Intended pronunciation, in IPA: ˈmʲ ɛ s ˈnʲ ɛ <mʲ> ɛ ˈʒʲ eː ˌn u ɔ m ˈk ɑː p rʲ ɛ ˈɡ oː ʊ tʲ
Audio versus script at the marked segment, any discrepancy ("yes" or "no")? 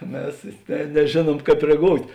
yes